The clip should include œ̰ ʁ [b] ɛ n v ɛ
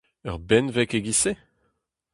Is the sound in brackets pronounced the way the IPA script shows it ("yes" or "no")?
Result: yes